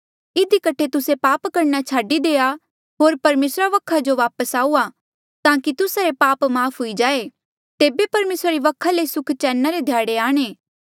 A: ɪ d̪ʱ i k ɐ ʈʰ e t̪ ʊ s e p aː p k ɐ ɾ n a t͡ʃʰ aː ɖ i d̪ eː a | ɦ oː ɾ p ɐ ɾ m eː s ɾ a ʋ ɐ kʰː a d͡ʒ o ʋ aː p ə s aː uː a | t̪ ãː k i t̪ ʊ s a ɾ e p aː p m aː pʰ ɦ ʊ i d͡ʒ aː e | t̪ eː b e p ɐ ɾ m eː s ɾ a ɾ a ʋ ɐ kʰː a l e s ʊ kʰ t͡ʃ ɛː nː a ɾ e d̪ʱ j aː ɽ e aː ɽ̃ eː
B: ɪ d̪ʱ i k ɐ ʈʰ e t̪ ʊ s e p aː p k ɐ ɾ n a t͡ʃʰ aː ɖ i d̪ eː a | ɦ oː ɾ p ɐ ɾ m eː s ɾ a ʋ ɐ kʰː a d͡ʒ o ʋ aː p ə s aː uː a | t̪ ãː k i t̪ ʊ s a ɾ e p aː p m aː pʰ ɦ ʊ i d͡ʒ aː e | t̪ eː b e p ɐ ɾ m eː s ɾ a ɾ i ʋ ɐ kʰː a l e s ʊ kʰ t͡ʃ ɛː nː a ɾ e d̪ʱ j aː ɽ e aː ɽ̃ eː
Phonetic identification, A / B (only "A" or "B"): B